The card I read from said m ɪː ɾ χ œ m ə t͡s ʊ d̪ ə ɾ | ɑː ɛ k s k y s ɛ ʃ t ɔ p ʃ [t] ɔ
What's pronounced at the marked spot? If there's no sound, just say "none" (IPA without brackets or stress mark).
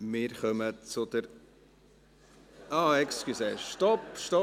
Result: t